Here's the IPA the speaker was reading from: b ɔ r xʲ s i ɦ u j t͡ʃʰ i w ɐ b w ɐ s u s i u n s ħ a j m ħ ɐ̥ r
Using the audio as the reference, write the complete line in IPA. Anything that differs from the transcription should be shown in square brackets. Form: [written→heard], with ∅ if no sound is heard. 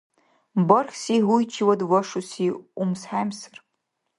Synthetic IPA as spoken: b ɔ r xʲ s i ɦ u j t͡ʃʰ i w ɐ [b→d] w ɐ [s→ʂ] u s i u [n→m] s ħ a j m [ħ→s] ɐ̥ r

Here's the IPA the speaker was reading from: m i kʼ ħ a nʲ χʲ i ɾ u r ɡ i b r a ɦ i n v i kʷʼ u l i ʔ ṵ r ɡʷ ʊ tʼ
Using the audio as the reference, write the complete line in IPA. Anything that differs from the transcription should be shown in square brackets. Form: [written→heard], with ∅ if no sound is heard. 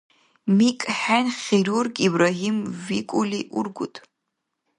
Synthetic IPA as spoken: m i kʼ ħ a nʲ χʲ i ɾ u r ɡ i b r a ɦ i [n→m] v i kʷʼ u l i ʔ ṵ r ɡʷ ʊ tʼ

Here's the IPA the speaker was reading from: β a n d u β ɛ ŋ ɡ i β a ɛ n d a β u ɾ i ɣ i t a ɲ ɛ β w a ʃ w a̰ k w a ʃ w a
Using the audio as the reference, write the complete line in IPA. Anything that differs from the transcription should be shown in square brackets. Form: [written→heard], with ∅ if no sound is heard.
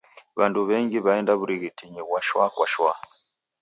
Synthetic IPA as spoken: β a n d u β ɛ ŋ ɡ i β a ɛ n d a β u ɾ i ɣ i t [a→i] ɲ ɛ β w a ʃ w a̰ k w a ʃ w a

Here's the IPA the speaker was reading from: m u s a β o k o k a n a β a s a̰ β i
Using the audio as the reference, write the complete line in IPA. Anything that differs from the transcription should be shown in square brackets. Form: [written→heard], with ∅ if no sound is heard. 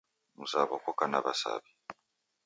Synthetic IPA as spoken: m u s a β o k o k a n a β a s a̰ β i

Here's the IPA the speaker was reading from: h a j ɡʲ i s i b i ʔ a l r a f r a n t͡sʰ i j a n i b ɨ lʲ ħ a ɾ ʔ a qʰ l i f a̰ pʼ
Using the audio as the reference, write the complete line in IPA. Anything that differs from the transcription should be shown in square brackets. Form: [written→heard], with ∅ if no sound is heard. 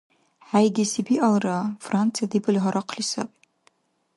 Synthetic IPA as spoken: [h→ħ] a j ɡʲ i s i b i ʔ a l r a f r a n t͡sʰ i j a [n→d] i b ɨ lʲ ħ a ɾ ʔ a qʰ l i [f→s] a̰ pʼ

